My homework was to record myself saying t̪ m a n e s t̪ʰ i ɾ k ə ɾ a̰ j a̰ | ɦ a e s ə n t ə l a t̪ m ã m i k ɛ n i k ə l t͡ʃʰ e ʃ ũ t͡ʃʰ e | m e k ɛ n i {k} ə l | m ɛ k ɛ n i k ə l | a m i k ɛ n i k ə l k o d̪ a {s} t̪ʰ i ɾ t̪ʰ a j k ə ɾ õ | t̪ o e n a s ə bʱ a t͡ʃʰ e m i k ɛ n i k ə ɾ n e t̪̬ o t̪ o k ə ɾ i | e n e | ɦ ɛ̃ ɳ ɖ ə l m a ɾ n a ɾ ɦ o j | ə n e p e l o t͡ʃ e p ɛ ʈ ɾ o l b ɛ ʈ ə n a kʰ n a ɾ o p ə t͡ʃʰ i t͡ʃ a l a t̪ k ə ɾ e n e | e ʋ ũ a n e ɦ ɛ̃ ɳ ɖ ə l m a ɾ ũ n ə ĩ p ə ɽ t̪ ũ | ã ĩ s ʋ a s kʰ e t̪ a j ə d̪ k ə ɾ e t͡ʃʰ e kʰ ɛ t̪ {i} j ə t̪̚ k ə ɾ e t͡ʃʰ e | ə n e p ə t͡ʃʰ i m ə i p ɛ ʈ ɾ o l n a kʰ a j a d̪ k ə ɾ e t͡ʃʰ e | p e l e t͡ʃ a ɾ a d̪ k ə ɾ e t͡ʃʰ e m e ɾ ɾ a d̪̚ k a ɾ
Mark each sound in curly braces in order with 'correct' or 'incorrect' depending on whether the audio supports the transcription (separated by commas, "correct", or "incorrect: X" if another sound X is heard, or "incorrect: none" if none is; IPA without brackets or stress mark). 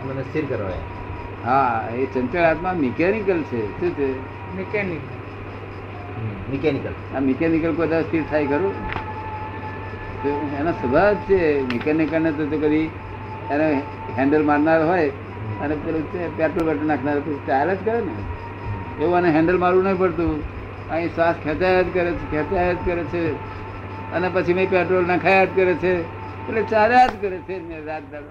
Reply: correct, correct, incorrect: a